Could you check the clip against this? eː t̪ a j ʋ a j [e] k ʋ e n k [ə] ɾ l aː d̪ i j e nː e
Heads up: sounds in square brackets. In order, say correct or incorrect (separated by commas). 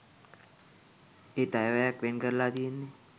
incorrect, correct